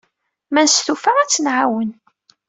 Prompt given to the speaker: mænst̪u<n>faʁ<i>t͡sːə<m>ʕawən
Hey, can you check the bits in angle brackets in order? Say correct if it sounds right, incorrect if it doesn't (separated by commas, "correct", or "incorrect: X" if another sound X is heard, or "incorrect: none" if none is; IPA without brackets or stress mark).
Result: incorrect: none, incorrect: æ, incorrect: n